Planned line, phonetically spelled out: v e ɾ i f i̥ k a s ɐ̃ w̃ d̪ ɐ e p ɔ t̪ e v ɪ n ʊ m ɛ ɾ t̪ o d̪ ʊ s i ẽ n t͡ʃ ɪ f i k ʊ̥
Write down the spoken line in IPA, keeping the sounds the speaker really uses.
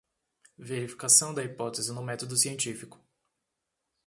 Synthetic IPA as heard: v e ɾ i f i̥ k a s ɐ̃ w̃ d̪ ɐ i p ɔ t̪ e z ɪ n ʊ m ɛ t̪ o d̪ ʊ s i ẽ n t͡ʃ i f i k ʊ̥